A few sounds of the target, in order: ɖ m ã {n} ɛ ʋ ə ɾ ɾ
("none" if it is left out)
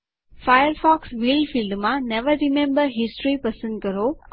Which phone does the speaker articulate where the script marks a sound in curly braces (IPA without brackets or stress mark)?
n